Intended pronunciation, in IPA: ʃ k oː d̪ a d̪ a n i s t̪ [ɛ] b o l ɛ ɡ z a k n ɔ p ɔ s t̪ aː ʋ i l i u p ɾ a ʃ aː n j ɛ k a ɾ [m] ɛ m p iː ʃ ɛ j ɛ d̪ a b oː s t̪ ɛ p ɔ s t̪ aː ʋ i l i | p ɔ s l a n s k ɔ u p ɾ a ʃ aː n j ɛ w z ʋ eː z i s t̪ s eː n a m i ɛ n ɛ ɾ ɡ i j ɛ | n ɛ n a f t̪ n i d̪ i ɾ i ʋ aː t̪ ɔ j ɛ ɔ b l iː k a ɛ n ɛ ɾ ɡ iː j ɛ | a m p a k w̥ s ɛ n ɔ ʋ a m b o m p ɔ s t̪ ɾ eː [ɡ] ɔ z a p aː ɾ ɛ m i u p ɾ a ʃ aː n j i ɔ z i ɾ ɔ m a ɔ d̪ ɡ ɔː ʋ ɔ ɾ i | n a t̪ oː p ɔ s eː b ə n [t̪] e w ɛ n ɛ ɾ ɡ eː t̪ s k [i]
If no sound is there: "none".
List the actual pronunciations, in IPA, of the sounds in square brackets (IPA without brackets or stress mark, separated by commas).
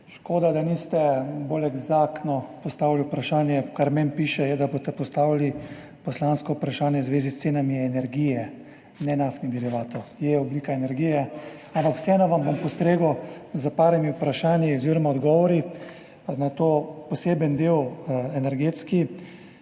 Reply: ɛ, m, ɡ, d̪, i